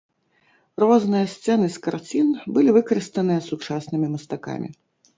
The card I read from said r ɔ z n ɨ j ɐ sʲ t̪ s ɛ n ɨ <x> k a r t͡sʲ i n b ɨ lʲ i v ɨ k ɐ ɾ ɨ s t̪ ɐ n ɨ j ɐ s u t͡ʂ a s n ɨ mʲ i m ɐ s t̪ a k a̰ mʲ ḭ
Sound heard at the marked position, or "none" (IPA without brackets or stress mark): s